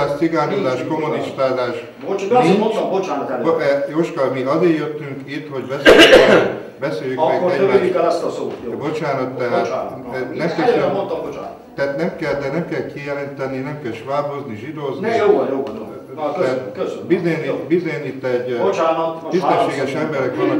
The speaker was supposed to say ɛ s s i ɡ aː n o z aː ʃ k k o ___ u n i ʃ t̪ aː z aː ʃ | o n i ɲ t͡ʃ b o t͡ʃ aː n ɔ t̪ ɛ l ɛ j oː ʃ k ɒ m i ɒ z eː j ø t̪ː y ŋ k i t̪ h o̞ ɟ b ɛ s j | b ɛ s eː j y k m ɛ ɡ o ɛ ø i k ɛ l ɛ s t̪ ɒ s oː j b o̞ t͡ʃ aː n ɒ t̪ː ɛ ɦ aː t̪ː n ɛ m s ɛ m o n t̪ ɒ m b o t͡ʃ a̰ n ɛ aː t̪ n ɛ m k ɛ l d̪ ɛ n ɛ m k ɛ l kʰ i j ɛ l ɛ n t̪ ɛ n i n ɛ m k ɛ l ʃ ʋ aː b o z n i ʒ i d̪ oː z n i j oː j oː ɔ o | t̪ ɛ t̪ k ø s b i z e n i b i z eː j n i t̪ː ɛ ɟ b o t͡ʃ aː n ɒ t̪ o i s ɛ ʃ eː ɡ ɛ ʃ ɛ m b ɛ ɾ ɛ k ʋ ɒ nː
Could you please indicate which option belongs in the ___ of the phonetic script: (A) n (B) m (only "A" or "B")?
B